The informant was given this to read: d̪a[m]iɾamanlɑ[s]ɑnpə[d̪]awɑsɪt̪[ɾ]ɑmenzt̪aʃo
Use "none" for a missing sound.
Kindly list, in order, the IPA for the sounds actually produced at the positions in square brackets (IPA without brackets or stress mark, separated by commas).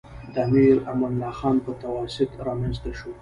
m, x, t̪, ɾ